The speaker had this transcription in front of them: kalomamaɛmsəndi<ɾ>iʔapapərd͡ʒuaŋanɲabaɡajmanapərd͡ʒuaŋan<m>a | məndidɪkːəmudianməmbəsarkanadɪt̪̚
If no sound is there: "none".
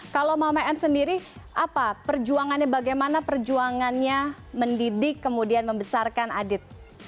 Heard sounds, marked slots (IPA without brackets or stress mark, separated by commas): ɾ, ɲ